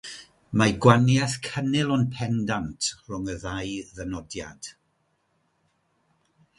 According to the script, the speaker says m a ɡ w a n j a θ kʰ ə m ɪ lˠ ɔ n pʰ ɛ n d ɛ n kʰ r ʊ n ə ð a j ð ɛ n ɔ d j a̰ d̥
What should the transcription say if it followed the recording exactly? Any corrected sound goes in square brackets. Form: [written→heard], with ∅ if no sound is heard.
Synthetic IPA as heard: m a ɡ w a n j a θ kʰ ə [m→n] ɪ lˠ ɔ n pʰ ɛ n d [ɛ→a] n [kʰ→tʰ] r ʊ [n→ŋ] ə ð a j ð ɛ n ɔ d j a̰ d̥